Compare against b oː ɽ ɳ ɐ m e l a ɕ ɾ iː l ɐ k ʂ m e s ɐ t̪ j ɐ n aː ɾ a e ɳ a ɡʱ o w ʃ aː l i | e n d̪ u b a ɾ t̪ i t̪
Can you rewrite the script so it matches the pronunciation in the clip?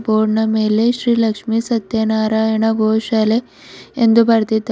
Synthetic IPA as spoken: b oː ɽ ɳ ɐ m e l e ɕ ɾ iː l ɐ k ʂ m i s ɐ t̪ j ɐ n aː ɾ a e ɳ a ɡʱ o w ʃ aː l e | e n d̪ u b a ɾ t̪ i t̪

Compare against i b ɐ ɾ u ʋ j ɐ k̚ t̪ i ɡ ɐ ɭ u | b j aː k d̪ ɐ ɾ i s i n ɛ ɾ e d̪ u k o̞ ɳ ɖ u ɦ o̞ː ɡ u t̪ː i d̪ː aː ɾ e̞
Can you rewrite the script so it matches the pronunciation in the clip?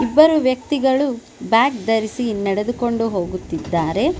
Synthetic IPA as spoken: i bː ɐ ɾ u ʋ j ɐ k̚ t̪ i ɡ ɐ ɭ u | b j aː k d̪ ɐ ɾ i s i n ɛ ɽ e d̪ u k o̞ ɳ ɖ u ɦ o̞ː ɡ u t̪ː i d̪ː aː ɾ e̞

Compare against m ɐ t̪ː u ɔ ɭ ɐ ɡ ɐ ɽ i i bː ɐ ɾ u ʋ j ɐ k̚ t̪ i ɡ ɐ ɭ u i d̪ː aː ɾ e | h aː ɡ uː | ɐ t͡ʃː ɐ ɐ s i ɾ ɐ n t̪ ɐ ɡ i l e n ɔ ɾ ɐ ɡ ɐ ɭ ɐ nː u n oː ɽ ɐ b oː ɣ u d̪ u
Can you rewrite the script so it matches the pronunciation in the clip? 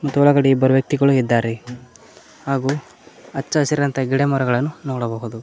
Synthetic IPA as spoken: m ɐ t̪ː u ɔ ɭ ɐ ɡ ɐ ɽ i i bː ɐ ɾ u ʋ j ɐ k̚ t̪ i ɡ ɐ ɭ u i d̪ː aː ɾ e | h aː ɡ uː | ɐ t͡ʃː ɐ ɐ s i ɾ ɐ n t̪ ɐ ɡ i ɽ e m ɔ ɾ ɐ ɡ ɐ ɭ ɐ nː u n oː ɽ ɐ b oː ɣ u d̪ u

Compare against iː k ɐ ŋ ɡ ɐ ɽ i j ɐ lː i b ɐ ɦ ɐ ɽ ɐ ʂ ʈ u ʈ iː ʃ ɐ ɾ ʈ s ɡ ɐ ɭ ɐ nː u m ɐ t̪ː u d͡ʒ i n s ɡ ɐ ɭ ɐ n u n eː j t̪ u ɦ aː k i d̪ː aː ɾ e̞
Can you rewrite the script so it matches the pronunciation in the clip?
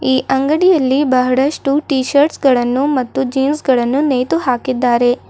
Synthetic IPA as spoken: iː ʔ ɐ ŋ ɡ ɐ ɽ i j ɐ lː i b ɐ ɦ ɐ ɽ ɐ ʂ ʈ u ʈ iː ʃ ɐ ɾ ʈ s ɡ ɐ ɭ ɐ nː u m ɐ t̪ː u d͡ʒ iː n s ɡ ɐ ɭ ɐ nː u n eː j t̪ u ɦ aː k i d̪ː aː ɾ e̞

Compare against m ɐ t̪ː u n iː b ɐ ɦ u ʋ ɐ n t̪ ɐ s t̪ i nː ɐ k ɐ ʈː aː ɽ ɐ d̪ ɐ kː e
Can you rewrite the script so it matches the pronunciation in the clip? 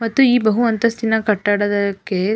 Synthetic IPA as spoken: m ɐ t̪ː u iː b ɐ ɦ u ʋ ɐ n t̪ ɐ s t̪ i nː ɐ k ɐ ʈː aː ɽ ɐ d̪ ɐ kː e

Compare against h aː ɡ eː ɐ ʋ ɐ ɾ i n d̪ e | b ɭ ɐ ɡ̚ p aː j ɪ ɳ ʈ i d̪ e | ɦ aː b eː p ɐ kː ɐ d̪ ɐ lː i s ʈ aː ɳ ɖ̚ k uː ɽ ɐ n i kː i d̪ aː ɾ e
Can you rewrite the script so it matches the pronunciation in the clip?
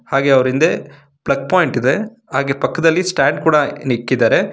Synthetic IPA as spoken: h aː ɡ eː ɐ ʋ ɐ ɾ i n d̪ e | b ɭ ɐ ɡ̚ p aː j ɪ ɳ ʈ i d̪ e | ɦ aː ɡ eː p ɐ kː ɐ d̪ ɐ lː i s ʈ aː ɳ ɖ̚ k uː ɽ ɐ n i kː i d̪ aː ɾ e

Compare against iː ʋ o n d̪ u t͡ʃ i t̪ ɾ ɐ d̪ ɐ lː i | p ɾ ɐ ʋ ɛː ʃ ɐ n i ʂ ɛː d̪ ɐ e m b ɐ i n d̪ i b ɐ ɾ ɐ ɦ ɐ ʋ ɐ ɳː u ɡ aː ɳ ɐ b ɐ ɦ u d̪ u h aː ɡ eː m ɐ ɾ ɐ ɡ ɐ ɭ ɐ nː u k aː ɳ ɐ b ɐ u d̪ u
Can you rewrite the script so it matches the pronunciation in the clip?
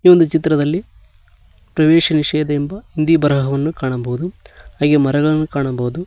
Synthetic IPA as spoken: iː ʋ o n d̪ u t͡ʃ i t̪ ɾ ɐ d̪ ɐ lː i | p ɾ ɐ ʋ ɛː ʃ ɐ n i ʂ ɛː d̪ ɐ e m b ɐ i n d̪ i b ɐ ɾ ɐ ɦ ɐ ʋ ɐ nː u k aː ɳ ɐ b ɐ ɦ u d̪ u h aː ɡ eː m ɐ ɾ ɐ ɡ ɐ ɭ ɐ nː u k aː ɳ ɐ b ɐ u d̪ u

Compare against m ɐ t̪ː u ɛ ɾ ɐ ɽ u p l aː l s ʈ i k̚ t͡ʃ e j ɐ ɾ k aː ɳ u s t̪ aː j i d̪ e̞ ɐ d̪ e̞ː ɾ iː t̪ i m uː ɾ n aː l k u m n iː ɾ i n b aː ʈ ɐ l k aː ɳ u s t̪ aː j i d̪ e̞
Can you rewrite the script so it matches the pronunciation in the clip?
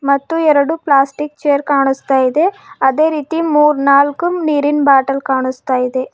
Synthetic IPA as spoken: m ɐ t̪ː u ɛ ɾ ɐ ɽ u p l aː s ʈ i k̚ t͡ʃ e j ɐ ɾ k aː ɳ u s t̪ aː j i d̪ e̞ ɐ d̪ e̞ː ɾ iː t̪ i m uː ɾ n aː l k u m n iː ɾ i n b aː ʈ ɐ l k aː ɳ u s t̪ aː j i d̪ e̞

